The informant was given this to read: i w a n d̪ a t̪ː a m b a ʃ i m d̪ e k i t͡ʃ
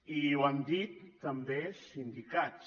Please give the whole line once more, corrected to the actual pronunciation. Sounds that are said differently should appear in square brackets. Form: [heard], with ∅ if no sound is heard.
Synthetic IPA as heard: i w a n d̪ [i] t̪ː a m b [e] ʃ i [n] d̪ [i] k [a] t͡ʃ

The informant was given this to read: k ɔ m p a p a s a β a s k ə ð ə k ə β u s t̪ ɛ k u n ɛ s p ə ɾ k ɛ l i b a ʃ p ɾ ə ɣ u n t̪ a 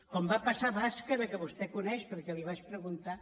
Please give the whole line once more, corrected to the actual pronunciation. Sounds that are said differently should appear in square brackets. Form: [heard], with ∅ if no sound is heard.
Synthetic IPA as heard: k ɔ m [b] a p a s a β a s k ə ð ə k ə β u s t̪ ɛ k u n ɛ [ʃ] p ə ɾ k ɛ l i [β] a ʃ p ɾ ə ɣ u n t̪ a

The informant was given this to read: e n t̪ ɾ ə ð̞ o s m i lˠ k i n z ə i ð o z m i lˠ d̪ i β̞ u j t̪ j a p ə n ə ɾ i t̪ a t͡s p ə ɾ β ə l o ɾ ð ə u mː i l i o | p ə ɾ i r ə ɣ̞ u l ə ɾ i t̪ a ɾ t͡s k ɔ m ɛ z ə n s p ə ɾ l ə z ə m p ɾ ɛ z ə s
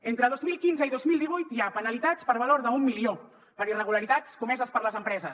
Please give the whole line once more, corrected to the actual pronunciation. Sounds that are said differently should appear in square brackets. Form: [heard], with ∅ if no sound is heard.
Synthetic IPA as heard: e n t̪ ɾ ə ð̞ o [z] m i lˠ k i n z ə i ð o z m i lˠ d̪ i β̞ u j t̪ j a p ə n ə [l] i t̪ a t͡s p ə ɾ β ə l o ɾ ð ə u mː i l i o | p ə ɾ i r ə ɣ̞ u l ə ɾ i t̪ a [∅] t͡s k [u] m ɛ z ə [∅] s p ə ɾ l ə z ə m p ɾ ɛ z ə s

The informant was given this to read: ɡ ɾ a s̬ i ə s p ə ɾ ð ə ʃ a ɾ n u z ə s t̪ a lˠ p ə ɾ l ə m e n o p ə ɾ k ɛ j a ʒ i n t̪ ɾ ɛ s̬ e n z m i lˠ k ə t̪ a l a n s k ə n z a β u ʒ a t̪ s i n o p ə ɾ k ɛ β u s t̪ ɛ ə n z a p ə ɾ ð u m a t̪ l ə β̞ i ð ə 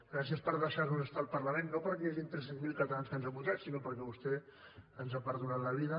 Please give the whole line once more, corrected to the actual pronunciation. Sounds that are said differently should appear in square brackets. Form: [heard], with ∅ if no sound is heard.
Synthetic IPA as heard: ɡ ɾ a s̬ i ə s p ə ɾ ð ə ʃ a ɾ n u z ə s t̪ a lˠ p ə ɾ l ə m e [nː] o p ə ɾ k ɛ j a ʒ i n t̪ ɾ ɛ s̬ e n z m i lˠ k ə t̪ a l a n s k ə n z a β u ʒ a t̪ s i n o p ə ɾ k ɛ β u s t̪ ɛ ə n z a p ə ɾ ð u [n] a t̪ l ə β̞ i ð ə

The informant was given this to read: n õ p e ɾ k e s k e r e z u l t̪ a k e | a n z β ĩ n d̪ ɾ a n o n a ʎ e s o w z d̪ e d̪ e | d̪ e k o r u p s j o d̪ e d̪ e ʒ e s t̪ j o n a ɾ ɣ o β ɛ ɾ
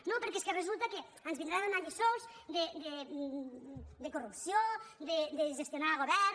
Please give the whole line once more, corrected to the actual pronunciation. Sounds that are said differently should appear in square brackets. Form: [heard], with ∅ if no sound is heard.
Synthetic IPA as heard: n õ p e ɾ k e s k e r e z u l t̪ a k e | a n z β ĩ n d̪ ɾ a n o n a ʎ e s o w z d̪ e d̪ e | d̪ e k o r u p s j o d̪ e d̪ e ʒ e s t̪ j o n a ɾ ɣ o β ɛ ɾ

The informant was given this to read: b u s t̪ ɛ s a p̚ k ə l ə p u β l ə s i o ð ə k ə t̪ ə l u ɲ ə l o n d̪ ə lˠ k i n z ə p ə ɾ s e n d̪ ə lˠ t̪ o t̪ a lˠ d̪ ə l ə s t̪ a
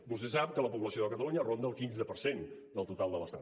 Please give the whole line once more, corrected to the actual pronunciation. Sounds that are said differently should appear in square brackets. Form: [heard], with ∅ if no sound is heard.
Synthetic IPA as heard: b u s t̪ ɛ s a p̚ k ə l ə p u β l ə s i o ð ə k ə t̪ ə l u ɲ ə [r] o n d̪ ə lˠ k i n z ə p ə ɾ s e n d̪ ə lˠ t̪ [u] t̪ a lˠ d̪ ə l ə s t̪ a

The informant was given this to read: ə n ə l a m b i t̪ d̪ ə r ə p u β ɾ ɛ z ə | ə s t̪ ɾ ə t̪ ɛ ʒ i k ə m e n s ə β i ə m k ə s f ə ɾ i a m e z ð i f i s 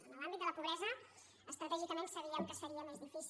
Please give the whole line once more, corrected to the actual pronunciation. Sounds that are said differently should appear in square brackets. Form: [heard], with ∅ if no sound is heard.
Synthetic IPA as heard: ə n ə l a m b i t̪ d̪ ə [l] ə p u β ɾ ɛ z ə | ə s t̪ ɾ ə t̪ ɛ ʒ i k ə m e n s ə β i ə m k ə s f ə ɾ i [ə] m e z ð i f i s

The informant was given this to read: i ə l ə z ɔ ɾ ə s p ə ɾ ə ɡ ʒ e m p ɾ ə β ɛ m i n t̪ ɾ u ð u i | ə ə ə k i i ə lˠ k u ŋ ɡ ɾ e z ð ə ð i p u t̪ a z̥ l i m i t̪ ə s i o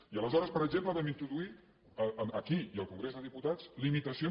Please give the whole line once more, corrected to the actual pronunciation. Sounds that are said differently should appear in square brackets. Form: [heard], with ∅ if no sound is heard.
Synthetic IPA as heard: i ə l ə z ɔ ɾ ə s p ə ɾ ə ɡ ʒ e m p [l] ə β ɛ m i n t̪ ɾ u ð u i | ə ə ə k i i ə lˠ k u ŋ ɡ ɾ e z ð ə ð i p u t̪ a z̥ l i m i t̪ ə s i o

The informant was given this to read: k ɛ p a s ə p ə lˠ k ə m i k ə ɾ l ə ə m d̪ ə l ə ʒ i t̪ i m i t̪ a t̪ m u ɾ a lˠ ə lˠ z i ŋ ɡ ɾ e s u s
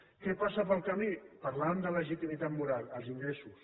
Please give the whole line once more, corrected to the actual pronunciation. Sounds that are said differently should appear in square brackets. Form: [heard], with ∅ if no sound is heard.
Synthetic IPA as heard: k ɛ p a s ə p ə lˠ k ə m i [p] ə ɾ l [a] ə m d̪ ə l ə ʒ i t̪ i m i t̪ a t̪ m u ɾ a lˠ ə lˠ z i ŋ ɡ ɾ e s u s

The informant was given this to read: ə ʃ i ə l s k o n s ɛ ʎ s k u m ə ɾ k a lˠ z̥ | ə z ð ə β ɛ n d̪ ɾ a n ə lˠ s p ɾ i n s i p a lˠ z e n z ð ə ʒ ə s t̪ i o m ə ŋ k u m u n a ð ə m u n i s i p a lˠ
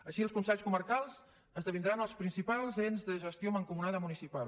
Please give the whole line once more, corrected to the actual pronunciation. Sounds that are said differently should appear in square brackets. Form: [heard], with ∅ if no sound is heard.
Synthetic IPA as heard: ə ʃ i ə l s k [u] n s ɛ ʎ s k u m ə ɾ k a lˠ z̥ | ə z ð ə β [i] n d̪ ɾ a n ə lˠ s p ɾ i n s i p a lˠ z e n z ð ə ʒ ə s t̪ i o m ə ŋ k u m u n a ð ə m u n i s i p a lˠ

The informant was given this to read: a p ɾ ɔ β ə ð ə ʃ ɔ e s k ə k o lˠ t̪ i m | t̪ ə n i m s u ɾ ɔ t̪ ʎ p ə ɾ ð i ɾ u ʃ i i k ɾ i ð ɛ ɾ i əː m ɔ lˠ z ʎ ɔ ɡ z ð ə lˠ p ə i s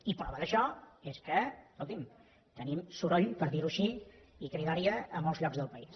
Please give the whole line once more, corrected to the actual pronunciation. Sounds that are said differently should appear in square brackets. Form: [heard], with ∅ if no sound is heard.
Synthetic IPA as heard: [i] p ɾ ɔ β ə ð ə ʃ ɔ e s k ə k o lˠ t̪ i m | t̪ ə n i m s u ɾ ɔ [∅] ʎ p ə ɾ ð i ɾ u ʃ i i k ɾ i ð [a] ɾ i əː m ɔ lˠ z ʎ ɔ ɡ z ð ə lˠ p ə i s

